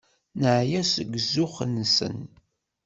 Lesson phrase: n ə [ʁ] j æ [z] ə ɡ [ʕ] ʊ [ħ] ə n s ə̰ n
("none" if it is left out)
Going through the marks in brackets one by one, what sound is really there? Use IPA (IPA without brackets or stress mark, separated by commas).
ʕ, s, z, χ